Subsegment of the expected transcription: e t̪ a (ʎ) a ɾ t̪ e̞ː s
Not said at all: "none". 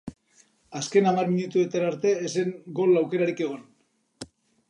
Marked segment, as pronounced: ɾ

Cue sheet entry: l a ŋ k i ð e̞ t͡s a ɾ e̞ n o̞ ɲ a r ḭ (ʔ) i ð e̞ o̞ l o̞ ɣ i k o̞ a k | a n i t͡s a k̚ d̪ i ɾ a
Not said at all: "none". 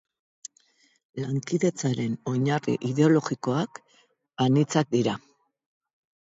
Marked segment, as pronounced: ʔ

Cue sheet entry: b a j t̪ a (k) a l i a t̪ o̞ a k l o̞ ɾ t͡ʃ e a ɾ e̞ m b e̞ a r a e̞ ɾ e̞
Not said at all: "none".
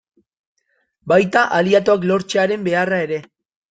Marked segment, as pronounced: ʔ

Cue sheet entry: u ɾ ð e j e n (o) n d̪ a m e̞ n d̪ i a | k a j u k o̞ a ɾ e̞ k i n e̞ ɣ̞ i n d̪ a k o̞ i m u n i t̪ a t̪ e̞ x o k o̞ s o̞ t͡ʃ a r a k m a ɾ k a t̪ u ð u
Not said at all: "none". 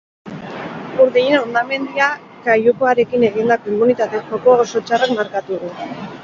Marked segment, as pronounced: o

